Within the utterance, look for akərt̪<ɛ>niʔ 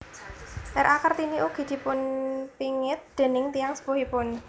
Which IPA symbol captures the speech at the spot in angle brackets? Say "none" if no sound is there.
i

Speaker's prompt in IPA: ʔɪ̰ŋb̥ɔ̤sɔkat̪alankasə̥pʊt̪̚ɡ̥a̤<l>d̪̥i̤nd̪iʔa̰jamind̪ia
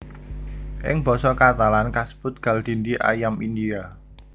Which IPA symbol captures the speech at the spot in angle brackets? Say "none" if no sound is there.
l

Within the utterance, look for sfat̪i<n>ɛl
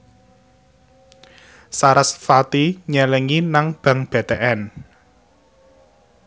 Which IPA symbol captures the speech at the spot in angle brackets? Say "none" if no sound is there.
ɲ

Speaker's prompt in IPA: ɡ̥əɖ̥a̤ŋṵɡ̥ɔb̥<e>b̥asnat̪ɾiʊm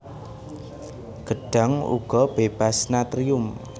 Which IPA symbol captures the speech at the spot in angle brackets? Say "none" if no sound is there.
e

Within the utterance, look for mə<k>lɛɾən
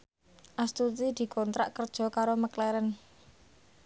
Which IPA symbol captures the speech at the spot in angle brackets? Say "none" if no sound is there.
k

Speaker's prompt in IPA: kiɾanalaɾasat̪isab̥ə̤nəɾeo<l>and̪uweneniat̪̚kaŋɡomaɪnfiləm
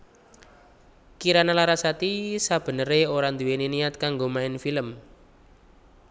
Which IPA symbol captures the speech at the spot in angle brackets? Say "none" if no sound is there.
ɾ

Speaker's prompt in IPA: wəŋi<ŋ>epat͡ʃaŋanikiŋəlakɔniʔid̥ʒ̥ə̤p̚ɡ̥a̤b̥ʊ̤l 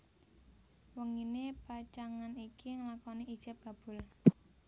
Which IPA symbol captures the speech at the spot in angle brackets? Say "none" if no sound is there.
n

